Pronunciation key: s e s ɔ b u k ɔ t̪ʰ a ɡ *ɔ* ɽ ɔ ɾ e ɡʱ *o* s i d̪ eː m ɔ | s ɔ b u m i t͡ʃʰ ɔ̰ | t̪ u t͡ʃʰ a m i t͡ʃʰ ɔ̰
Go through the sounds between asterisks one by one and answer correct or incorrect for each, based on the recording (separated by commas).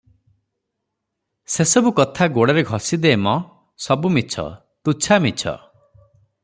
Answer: incorrect, incorrect